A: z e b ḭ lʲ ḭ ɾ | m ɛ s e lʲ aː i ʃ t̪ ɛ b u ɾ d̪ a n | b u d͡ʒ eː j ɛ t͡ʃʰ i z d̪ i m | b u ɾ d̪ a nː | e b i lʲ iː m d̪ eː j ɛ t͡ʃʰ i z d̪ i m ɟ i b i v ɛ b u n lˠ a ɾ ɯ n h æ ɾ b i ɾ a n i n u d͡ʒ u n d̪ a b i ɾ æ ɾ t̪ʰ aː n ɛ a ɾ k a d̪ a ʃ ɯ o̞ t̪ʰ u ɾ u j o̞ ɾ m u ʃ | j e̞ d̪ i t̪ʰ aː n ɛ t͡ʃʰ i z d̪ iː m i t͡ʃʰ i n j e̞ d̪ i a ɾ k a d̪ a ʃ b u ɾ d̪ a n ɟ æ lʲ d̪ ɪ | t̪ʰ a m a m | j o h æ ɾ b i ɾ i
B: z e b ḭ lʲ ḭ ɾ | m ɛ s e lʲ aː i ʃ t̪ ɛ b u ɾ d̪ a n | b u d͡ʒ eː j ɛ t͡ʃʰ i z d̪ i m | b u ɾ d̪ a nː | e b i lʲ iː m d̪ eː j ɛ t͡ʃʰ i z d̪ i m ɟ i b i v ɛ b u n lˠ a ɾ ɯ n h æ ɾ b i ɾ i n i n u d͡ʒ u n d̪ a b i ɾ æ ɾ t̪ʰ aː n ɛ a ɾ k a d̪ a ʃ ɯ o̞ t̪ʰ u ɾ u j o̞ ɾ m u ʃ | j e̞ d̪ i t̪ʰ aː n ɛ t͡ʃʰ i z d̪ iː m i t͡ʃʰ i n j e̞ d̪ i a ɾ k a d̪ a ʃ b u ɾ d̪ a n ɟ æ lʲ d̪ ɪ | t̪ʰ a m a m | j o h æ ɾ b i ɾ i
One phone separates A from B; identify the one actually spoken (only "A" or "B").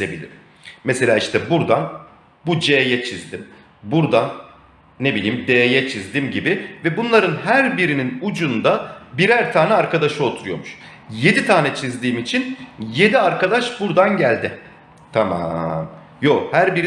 B